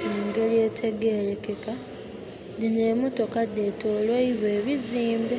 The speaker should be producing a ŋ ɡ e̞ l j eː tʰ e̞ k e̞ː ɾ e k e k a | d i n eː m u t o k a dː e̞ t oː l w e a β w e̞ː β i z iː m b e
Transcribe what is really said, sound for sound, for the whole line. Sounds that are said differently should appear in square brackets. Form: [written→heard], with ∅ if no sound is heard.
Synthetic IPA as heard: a ŋ ɡ e̞ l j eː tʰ e̞ [k→ɡ] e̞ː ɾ e k e k a | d i n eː m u t o k a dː e̞ t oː l w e [a→i] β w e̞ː β i z iː m b e